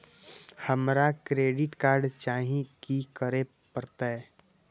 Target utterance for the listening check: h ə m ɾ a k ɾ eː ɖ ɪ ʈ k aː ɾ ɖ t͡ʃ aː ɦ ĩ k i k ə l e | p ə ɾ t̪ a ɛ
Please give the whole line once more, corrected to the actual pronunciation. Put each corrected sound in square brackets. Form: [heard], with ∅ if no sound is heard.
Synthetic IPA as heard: h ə m ɾ a k ɾ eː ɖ ɪ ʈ k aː ɾ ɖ t͡ʃ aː ɦ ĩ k i k ə [ɾ] e | p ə ɾ t̪ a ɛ